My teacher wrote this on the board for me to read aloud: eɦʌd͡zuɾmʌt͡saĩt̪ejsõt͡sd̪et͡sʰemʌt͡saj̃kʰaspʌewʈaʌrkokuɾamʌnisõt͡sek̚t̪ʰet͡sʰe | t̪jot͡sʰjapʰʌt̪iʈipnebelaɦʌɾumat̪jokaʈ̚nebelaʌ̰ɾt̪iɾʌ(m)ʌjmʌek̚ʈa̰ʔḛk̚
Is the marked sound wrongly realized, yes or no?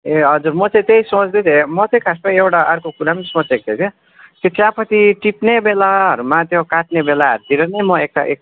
yes